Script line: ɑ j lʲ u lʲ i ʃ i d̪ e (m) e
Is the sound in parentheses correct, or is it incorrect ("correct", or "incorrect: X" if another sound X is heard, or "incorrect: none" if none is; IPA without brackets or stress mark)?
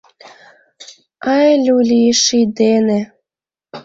incorrect: n